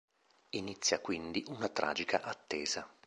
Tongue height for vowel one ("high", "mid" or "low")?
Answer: high